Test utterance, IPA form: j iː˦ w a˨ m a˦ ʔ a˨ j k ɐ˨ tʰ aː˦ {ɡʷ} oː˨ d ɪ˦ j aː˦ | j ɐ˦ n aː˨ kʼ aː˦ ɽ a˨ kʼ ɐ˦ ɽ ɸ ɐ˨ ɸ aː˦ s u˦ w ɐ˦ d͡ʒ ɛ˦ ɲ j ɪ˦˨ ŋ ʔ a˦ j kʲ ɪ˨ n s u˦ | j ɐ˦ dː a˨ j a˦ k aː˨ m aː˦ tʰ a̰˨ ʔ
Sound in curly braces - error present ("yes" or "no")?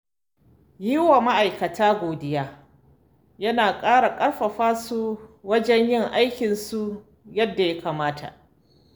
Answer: no